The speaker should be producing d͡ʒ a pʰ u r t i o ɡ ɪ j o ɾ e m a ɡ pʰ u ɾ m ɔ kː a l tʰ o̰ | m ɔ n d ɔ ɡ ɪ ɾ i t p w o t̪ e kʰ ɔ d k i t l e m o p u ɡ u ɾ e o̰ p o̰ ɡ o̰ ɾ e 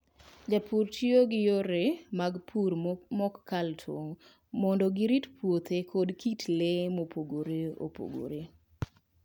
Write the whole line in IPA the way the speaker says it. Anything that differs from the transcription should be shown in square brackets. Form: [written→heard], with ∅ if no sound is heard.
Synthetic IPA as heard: d͡ʒ a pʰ u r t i o ɡ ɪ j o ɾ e m a ɡ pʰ u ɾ m ɔ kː a l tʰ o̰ | m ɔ n d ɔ ɡ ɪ ɾ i t p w o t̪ e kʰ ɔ d k i t l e m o p [u→o] ɡ [u→o] ɾ e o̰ p o̰ ɡ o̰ ɾ e